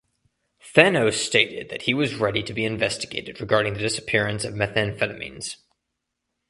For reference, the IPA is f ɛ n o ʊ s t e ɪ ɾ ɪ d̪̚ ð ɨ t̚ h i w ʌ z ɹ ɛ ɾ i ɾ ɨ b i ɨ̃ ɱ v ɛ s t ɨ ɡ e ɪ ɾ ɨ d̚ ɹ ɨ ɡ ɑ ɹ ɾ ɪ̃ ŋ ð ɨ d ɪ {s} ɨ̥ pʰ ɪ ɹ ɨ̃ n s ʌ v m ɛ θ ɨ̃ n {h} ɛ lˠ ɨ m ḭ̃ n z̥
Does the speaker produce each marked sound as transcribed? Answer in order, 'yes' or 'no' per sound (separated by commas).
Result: yes, no